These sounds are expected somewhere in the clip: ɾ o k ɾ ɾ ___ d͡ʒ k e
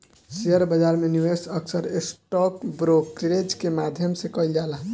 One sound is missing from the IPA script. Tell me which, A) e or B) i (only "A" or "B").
A